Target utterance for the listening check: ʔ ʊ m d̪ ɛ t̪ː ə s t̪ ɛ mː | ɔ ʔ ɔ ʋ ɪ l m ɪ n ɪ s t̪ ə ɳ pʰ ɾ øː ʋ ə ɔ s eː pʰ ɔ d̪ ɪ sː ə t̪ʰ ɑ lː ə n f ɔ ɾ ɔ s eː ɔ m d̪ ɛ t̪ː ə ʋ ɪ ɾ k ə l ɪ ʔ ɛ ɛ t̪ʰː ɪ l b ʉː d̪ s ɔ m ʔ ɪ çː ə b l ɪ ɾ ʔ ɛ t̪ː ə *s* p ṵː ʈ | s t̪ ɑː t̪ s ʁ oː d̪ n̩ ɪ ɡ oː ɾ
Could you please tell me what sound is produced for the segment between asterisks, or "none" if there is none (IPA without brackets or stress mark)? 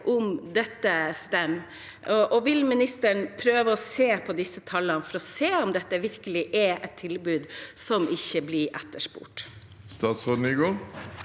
ʂ